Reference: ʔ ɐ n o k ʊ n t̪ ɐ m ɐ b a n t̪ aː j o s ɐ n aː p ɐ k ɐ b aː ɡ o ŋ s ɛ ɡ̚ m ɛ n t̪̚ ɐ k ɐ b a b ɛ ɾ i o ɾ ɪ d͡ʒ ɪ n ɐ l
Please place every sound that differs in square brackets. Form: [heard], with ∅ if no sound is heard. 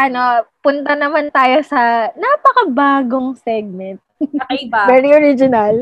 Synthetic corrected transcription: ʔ ɐ n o [p] ʊ n t̪ ɐ [n] ɐ [m] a n t̪ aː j o s ɐ n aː p ɐ k ɐ b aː ɡ o ŋ s ɛ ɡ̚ m ɛ n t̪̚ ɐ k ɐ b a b ɛ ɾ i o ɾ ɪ d͡ʒ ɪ n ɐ l